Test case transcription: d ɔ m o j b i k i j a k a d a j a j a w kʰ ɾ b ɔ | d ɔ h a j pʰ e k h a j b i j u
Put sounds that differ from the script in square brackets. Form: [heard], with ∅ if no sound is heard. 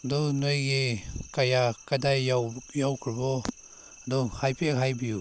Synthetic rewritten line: d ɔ [n] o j [ɡ] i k [a] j a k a d a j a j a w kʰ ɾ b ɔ | d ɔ h a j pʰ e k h a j b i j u